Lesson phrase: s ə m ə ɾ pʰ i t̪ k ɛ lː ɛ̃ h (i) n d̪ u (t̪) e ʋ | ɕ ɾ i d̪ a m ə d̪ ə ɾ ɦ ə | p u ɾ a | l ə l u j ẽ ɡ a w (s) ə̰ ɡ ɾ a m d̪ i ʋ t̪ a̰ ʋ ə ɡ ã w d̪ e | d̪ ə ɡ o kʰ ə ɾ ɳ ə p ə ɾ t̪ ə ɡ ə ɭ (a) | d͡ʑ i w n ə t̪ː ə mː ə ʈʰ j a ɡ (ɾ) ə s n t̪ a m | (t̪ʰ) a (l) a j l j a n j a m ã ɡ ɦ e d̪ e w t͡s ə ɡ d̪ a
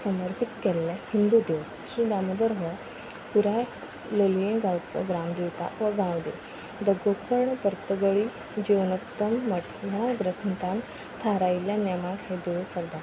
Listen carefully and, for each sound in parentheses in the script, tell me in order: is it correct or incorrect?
correct, incorrect: d̪, incorrect: t͡s, incorrect: i, correct, correct, incorrect: ɾ

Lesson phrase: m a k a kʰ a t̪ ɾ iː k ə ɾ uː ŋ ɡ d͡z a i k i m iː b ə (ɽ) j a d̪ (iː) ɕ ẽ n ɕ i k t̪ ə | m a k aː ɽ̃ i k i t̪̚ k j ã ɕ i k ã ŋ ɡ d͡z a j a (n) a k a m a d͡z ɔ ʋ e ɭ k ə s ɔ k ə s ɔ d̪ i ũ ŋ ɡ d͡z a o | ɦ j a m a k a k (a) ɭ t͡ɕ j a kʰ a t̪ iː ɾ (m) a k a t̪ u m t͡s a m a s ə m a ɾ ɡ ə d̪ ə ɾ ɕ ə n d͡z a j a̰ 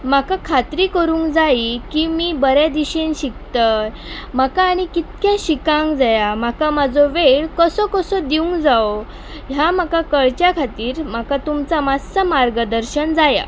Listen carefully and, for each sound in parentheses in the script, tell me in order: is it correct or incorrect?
incorrect: ɾ, incorrect: i, incorrect: m, incorrect: ə, correct

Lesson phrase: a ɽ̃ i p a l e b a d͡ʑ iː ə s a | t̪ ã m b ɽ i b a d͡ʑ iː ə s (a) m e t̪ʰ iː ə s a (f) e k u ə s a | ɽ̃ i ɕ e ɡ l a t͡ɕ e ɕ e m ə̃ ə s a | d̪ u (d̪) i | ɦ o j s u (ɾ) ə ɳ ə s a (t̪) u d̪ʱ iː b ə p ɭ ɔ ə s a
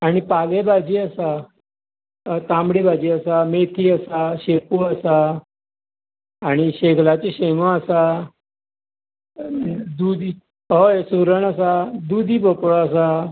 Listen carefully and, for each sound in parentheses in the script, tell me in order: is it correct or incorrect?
correct, incorrect: ɕ, correct, correct, incorrect: d̪

